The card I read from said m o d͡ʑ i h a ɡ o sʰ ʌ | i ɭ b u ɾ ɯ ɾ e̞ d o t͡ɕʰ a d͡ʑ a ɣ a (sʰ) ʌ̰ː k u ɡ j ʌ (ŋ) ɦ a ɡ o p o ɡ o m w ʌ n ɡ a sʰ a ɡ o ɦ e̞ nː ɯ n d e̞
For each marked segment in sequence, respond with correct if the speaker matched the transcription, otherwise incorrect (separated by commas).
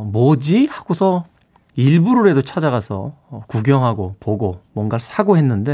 correct, correct